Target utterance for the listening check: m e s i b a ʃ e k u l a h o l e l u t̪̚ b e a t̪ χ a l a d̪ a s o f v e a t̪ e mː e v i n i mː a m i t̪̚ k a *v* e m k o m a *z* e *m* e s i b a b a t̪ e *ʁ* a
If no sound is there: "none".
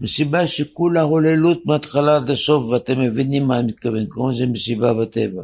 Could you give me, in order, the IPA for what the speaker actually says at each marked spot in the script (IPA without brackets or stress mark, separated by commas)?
v, z, m, v